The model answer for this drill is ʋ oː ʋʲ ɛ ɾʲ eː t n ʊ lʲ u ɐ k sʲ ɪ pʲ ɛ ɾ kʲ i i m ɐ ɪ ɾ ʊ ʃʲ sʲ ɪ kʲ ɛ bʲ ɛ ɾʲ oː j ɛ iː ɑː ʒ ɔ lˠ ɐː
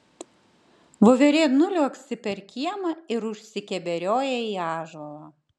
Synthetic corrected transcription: ʋ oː ʋʲ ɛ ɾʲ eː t n ʊ lʲ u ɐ k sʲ ɪ pʲ ɛ ɾ kʲ i ɛ m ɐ ɪ ɾ ʊ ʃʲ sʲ ɪ kʲ ɛ bʲ ɛ ɾʲ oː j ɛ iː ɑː ʒ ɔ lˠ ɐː